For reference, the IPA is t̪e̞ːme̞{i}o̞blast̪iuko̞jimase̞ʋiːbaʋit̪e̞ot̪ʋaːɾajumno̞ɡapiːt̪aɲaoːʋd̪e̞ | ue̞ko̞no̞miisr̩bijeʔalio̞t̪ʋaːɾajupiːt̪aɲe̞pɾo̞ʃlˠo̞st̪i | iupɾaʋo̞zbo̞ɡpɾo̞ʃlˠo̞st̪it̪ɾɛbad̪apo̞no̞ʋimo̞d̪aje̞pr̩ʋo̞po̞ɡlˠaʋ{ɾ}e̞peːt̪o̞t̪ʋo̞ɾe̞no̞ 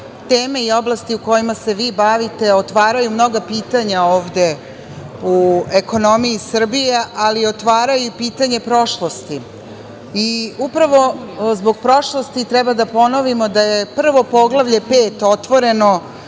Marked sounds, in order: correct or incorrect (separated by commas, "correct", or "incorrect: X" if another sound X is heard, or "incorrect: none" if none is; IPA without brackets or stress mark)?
correct, incorrect: ʎ